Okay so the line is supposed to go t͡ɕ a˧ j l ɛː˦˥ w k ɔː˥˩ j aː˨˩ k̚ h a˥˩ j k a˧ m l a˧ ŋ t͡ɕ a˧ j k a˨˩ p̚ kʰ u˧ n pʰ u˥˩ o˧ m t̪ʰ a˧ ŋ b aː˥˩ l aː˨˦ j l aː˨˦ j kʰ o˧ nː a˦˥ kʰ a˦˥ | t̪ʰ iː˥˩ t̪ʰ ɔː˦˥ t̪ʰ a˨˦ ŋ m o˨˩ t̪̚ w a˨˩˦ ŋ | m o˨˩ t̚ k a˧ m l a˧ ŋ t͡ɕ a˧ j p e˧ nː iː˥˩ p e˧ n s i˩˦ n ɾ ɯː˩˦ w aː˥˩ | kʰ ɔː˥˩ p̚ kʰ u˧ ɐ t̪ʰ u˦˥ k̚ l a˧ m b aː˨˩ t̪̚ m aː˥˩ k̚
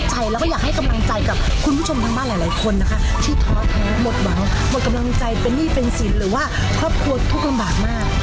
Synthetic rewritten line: t͡ɕ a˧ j l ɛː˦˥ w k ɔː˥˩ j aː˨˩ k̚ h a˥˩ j k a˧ m l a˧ ŋ t͡ɕ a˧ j k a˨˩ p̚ kʰ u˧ n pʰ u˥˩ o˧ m t̪ʰ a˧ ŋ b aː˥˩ l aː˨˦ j l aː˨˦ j kʰ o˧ nː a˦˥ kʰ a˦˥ | t̪ʰ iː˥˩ t̪ʰ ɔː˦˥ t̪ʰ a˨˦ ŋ m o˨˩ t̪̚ w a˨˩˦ ŋ | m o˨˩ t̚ k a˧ m l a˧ ŋ t͡ɕ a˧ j p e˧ nː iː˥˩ p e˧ n s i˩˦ n ɾ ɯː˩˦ w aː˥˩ | kʰ ɔː˥˩ p̚ kʰ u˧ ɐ t̪ʰ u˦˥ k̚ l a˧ m b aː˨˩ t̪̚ m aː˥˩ k̚